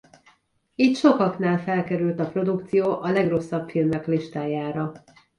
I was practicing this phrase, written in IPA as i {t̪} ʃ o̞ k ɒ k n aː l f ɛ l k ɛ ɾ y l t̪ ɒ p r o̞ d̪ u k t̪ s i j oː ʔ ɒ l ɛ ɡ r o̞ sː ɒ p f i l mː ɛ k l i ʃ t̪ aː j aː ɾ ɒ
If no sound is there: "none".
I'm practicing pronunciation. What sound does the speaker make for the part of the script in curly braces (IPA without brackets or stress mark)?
t̪